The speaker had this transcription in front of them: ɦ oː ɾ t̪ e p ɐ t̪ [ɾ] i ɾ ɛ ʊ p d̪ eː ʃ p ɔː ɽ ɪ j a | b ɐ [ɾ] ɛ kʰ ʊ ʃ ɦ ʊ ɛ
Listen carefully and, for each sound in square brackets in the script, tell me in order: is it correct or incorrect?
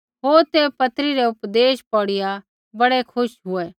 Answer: correct, incorrect: ɽ

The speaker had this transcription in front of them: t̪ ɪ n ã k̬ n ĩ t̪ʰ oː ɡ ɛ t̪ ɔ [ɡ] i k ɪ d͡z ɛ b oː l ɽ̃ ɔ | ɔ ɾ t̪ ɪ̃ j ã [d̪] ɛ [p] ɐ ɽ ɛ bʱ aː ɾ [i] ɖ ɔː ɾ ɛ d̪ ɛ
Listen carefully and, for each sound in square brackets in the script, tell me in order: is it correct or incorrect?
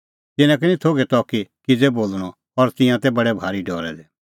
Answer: incorrect: k, incorrect: t̪, incorrect: b, correct

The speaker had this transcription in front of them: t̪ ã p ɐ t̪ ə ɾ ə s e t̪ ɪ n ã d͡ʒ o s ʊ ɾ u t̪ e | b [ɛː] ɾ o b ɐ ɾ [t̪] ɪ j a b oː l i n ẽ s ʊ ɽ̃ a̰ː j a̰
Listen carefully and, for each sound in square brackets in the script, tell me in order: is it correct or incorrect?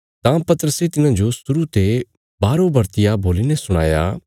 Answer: incorrect: aː, correct

